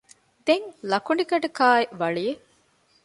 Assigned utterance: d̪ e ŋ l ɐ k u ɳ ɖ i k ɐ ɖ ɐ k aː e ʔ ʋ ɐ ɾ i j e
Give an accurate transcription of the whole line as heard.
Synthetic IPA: d̪ e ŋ l ɐ k u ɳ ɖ i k ɐ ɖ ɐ k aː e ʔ ʋ ɐ ɭ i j e